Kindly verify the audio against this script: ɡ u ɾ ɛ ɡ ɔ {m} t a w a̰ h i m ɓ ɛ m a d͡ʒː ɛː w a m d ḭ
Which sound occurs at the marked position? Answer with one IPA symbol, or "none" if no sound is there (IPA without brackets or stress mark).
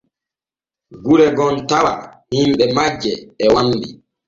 n